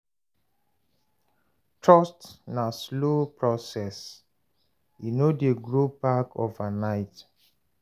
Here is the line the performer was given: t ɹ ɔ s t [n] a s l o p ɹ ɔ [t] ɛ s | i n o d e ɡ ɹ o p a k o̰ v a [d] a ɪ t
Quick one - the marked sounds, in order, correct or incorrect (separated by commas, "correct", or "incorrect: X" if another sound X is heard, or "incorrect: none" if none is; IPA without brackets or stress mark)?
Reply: correct, incorrect: s, incorrect: n